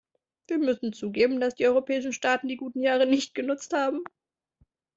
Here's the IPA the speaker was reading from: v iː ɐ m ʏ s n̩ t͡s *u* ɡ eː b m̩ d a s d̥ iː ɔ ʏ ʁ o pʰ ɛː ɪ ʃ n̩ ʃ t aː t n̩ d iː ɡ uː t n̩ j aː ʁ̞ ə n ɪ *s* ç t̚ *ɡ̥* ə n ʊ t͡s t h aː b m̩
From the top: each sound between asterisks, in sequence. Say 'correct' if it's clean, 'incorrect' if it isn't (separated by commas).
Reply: incorrect, incorrect, correct